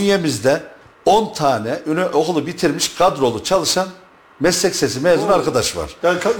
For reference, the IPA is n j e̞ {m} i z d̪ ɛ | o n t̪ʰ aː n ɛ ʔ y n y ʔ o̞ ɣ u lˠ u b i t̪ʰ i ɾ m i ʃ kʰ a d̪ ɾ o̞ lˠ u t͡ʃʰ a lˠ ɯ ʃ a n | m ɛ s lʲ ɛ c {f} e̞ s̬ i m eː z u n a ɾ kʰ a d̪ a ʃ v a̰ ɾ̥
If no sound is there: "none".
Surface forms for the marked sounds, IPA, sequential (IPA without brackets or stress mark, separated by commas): m, s